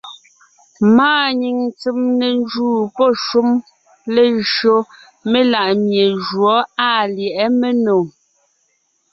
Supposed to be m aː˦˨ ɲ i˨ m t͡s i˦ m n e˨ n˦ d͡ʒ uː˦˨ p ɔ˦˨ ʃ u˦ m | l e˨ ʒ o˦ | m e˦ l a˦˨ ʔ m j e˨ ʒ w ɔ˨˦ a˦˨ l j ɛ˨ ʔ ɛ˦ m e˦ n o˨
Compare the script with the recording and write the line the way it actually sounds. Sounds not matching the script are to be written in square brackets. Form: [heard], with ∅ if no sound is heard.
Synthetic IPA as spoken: m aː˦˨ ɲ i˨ [ŋ] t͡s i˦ m n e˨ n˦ d͡ʒ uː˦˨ p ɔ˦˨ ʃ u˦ m | l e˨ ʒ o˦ | m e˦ l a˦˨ ʔ m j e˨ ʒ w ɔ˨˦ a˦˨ l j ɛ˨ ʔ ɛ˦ m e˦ n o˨